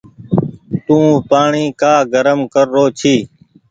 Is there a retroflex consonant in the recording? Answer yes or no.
yes